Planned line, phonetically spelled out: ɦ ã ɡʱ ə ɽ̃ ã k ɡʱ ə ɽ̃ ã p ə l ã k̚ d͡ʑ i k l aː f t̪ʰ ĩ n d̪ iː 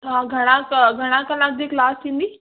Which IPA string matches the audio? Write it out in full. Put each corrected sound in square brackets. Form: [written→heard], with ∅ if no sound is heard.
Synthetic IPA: ɦ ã ɡʱ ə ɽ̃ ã k ɡʱ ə ɽ̃ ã [p→k] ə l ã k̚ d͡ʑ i k l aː [f→s] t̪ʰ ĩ n d̪ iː